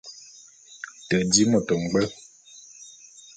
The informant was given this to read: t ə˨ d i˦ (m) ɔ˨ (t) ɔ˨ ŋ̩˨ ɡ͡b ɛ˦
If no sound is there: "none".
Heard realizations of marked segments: m, t

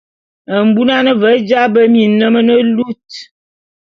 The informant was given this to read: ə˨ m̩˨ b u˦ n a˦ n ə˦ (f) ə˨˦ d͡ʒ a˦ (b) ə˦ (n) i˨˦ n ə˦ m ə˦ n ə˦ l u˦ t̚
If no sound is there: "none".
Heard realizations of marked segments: v, b, m

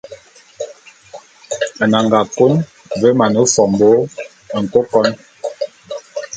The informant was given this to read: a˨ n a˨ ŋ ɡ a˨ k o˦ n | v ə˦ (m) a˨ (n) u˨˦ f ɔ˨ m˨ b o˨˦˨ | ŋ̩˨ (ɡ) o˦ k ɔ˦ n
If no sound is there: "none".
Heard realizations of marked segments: m, n, k

